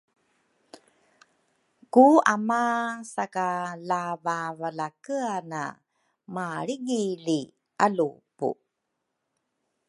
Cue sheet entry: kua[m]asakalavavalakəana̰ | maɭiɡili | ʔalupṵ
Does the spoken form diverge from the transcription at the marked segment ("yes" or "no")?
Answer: no